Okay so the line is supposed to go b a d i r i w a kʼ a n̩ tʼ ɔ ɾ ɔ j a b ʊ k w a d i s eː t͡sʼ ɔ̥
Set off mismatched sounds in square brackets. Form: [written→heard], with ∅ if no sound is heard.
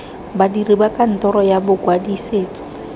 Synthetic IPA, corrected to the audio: b a d i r i [w→b] a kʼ a n̩ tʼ ɔ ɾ ɔ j a b ʊ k w a d i s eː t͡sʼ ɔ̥